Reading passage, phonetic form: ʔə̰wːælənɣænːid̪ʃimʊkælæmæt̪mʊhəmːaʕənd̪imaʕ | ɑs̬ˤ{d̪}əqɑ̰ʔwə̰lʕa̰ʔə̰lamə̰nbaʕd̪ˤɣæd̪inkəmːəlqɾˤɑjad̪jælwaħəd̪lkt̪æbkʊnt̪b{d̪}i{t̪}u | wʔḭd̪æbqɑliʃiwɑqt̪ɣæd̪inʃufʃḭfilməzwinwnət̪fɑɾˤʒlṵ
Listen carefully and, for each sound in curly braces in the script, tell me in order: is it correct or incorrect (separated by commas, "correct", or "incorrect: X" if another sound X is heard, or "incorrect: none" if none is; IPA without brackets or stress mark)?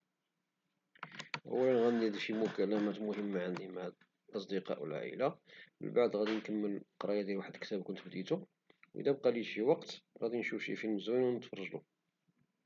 correct, correct, correct